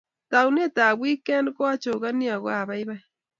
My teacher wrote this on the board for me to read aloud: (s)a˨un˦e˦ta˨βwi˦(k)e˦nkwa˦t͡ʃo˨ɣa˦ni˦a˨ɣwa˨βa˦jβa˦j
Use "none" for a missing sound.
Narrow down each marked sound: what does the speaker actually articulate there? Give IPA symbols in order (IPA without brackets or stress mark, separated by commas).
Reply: t, k